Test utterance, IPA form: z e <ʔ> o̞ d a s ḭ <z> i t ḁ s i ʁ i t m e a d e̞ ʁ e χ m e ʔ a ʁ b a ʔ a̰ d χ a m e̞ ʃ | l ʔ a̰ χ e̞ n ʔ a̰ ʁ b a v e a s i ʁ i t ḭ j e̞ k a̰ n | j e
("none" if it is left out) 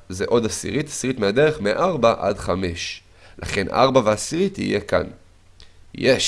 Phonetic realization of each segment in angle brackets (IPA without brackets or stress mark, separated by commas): ʔ, ʁ